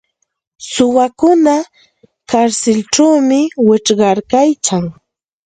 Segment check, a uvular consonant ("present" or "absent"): present